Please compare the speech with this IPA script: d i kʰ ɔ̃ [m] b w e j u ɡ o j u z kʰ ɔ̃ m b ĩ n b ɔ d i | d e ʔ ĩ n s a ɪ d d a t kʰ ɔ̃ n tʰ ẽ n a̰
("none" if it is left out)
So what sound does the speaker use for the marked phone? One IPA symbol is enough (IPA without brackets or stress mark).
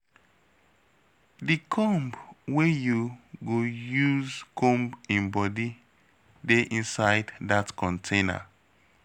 m